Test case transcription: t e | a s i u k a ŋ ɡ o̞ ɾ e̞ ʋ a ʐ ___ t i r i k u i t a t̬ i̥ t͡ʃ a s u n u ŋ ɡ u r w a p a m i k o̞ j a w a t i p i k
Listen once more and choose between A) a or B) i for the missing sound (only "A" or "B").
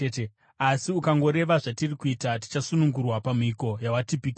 A